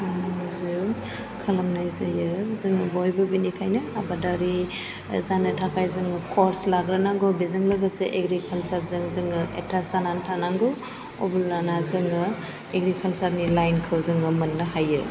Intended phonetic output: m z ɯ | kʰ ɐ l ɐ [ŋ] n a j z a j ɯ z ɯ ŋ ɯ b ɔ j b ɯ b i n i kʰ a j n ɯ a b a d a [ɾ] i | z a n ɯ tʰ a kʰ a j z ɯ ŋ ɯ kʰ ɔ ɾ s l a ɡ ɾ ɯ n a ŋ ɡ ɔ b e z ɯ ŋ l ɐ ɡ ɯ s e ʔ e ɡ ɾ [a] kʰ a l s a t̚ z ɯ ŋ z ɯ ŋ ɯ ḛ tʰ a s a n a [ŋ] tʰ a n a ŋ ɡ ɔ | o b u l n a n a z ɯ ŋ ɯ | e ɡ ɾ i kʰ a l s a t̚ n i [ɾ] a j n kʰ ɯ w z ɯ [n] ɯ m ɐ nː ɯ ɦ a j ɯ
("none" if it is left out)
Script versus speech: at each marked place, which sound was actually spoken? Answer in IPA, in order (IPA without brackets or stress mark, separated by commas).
m, ɾ, i, n, l, ŋ